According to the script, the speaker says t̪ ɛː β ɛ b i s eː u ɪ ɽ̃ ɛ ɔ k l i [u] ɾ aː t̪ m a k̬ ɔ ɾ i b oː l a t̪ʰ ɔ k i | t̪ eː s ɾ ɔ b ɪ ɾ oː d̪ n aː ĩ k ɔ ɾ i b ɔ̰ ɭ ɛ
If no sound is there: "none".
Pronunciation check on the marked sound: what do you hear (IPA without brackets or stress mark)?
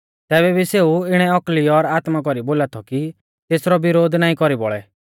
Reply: ɔ